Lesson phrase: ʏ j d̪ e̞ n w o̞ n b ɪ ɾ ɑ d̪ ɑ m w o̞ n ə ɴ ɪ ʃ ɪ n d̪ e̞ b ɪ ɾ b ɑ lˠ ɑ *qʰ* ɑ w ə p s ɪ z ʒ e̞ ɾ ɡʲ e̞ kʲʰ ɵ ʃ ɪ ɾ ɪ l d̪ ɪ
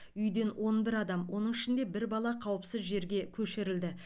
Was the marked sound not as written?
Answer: no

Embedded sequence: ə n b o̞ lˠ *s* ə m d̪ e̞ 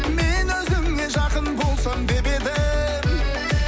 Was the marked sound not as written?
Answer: no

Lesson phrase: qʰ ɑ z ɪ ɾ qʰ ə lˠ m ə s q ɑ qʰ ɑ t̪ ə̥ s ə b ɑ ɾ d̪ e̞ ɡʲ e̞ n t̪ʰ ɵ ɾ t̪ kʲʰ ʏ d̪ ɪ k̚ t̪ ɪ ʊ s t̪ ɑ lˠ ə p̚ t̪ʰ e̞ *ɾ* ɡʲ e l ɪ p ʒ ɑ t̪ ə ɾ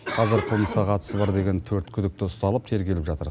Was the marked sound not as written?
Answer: no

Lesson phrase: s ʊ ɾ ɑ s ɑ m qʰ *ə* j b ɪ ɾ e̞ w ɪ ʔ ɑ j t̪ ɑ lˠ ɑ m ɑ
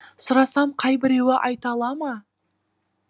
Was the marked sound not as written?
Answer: yes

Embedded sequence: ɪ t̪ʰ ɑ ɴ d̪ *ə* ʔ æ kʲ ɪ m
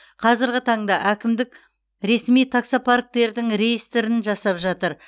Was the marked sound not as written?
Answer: yes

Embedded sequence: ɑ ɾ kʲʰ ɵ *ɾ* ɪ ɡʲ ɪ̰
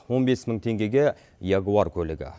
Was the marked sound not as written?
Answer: yes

